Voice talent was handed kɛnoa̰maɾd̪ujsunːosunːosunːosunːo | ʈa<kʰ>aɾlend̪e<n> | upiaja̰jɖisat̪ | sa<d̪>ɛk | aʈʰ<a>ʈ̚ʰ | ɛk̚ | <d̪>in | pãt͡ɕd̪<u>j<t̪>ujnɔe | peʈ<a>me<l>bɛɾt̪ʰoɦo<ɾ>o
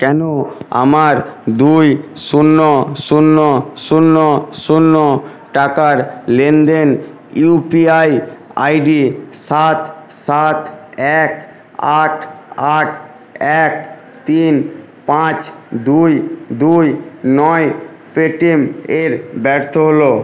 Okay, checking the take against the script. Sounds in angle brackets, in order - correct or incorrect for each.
incorrect, correct, incorrect, correct, incorrect, correct, incorrect, incorrect, incorrect, incorrect

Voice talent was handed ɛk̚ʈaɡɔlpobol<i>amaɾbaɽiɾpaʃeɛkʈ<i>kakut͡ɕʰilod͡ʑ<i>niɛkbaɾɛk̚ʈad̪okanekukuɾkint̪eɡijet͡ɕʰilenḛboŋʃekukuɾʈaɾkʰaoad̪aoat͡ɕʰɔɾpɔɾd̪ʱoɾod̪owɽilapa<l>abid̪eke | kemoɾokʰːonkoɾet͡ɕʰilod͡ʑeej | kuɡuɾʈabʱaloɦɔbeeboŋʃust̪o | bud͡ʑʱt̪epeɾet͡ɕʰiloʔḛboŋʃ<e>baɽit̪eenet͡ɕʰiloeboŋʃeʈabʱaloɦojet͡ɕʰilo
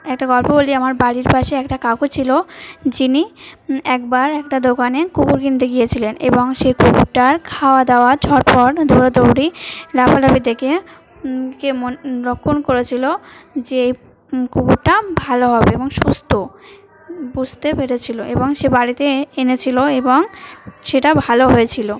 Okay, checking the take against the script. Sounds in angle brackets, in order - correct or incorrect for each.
correct, incorrect, correct, correct, correct

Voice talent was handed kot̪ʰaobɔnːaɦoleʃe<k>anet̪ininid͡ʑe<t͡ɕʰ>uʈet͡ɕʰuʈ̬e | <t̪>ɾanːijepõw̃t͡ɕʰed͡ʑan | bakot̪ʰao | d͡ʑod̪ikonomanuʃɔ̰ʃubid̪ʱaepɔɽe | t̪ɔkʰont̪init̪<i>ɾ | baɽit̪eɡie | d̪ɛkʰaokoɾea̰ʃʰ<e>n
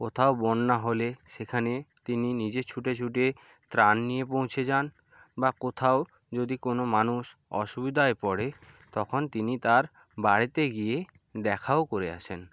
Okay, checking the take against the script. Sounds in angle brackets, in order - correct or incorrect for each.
incorrect, correct, correct, incorrect, correct

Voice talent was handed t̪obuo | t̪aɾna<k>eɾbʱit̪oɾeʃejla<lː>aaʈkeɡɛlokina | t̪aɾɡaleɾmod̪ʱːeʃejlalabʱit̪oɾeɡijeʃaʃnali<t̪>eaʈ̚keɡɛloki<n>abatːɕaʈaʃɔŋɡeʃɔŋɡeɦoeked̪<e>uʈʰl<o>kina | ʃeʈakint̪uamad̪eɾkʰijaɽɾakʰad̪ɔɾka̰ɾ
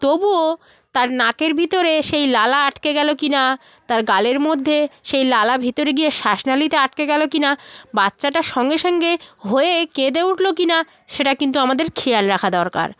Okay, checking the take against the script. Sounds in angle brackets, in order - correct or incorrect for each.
correct, incorrect, correct, correct, correct, correct

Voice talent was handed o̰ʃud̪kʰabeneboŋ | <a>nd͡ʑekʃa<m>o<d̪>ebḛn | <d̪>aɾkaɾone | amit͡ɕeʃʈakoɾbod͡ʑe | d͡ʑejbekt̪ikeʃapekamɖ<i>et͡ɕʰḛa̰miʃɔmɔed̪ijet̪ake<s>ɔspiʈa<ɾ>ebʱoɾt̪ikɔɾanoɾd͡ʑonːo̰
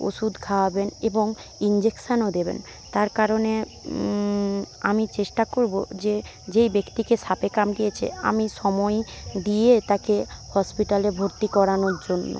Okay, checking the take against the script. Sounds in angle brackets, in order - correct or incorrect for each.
incorrect, incorrect, correct, incorrect, correct, incorrect, incorrect

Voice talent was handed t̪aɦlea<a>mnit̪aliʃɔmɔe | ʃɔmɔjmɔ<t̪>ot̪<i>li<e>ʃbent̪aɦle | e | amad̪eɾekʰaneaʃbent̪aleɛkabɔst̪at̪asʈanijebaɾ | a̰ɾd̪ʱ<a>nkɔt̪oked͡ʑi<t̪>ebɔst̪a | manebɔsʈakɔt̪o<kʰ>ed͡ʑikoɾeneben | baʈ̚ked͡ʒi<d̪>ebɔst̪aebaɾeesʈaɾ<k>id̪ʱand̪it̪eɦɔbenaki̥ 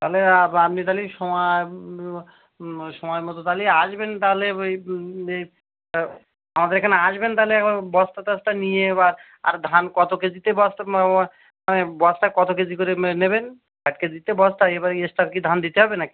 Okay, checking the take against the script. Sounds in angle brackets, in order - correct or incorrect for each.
correct, correct, incorrect, incorrect, correct, correct, incorrect, incorrect, correct

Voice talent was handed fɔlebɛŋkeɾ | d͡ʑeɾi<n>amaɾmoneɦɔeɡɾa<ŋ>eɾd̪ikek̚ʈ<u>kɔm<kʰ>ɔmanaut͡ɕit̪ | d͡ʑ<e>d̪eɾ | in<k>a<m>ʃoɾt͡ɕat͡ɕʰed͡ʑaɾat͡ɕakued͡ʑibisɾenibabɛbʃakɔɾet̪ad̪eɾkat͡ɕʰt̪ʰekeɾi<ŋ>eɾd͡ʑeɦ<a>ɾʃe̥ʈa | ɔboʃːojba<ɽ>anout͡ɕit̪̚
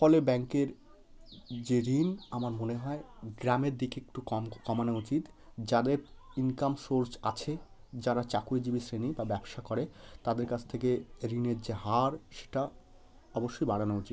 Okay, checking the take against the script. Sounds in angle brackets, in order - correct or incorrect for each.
correct, incorrect, correct, incorrect, incorrect, correct, correct, incorrect, correct, correct

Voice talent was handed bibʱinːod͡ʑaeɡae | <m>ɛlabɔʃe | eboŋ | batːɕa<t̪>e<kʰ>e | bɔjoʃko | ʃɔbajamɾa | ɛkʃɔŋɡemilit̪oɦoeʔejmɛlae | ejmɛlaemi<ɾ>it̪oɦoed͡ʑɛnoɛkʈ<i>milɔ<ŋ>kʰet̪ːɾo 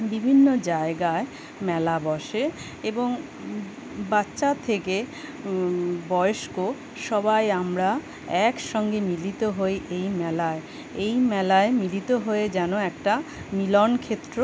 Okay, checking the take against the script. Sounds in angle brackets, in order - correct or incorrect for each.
correct, incorrect, incorrect, incorrect, incorrect, incorrect

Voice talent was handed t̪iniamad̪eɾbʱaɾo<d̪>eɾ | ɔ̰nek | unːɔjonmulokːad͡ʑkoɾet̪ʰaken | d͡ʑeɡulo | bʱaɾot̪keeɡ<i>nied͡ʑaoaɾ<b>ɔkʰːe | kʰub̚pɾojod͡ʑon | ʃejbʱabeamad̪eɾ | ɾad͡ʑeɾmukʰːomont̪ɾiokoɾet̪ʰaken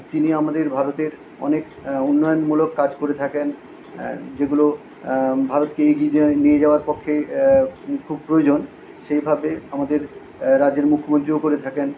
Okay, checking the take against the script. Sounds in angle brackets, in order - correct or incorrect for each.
incorrect, correct, incorrect

